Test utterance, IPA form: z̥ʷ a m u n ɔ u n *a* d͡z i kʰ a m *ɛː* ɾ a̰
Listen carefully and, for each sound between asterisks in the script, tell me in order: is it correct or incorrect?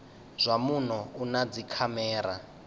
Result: correct, correct

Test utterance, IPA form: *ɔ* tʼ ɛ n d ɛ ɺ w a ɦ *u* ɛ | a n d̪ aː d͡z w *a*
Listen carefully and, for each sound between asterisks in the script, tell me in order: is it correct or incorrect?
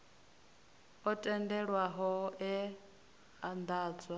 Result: correct, incorrect, correct

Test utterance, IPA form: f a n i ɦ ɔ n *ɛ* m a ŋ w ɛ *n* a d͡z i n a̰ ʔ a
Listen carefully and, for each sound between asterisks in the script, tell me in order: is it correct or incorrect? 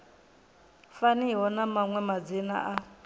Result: incorrect, incorrect

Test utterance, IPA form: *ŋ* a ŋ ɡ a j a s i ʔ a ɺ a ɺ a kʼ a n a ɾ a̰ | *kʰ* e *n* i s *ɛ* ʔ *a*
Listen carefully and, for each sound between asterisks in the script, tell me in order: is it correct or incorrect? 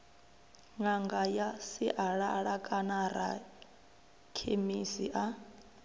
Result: correct, correct, incorrect, incorrect, correct

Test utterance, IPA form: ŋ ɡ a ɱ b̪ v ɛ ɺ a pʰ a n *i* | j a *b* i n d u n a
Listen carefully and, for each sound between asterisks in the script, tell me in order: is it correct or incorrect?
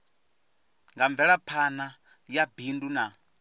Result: incorrect, correct

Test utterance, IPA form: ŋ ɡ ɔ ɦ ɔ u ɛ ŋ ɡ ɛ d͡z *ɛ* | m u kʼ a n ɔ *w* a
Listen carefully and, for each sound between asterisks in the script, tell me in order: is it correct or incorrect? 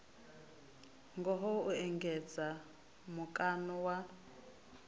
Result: incorrect, correct

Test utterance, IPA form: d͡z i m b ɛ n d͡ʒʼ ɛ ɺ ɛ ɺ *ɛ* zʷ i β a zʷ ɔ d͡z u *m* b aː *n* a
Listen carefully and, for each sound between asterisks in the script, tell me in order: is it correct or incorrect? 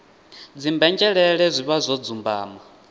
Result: correct, correct, incorrect

